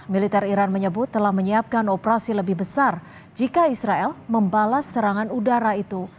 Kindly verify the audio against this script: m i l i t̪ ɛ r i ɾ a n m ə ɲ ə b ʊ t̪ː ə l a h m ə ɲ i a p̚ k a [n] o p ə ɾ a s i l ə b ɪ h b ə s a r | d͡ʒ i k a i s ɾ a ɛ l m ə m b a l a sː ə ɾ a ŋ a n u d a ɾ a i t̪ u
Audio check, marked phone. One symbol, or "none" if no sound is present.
n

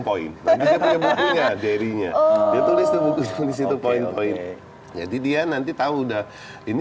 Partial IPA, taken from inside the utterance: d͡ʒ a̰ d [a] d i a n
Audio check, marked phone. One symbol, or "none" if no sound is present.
i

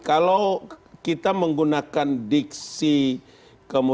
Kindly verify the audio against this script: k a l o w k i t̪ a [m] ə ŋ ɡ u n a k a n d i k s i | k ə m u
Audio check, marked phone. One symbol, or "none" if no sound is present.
m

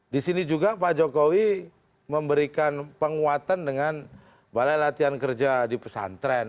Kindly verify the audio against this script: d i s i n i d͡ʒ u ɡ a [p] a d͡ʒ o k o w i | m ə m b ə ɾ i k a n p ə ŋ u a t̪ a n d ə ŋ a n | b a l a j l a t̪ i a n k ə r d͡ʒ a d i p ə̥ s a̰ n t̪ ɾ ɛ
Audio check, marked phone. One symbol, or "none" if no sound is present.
p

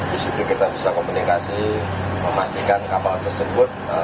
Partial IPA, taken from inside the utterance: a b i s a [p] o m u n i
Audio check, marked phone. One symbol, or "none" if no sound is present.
k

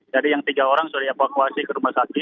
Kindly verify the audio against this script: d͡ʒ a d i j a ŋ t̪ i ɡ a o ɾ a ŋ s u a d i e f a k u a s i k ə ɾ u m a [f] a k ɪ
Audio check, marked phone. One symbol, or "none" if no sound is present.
s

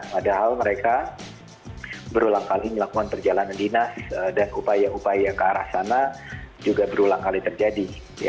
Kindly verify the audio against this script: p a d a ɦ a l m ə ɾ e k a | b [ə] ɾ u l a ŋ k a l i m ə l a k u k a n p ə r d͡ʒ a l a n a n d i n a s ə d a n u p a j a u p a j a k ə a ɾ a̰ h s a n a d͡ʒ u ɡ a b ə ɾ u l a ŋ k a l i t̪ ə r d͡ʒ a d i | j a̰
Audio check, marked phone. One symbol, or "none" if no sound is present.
ə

